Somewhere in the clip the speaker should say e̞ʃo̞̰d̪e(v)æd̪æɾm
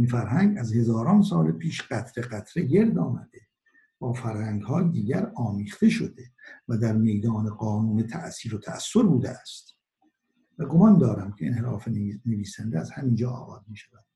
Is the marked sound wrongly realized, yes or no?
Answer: no